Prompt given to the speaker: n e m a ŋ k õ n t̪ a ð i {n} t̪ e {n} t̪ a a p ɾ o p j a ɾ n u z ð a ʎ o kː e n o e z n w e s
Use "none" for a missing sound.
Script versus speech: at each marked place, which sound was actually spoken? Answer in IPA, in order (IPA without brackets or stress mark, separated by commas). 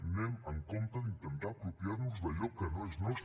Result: n, n